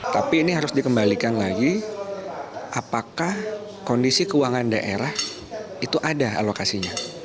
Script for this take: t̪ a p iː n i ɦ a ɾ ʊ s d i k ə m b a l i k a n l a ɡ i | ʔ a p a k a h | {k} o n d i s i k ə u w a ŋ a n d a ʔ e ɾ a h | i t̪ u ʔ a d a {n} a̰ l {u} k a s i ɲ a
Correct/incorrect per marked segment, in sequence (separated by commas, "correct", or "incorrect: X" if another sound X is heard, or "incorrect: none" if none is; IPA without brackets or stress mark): correct, incorrect: none, incorrect: o